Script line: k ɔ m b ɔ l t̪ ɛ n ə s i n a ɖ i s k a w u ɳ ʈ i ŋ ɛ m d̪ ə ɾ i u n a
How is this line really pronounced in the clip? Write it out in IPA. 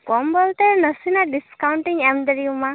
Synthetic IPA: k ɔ m b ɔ l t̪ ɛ n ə s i n a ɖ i s k a w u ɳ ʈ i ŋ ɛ m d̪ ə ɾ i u m a